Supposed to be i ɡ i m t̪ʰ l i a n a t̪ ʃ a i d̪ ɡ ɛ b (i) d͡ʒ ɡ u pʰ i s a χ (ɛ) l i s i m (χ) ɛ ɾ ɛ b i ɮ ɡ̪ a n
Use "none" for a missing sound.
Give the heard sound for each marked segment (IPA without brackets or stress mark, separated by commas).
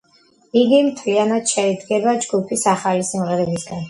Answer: a, a, ʁ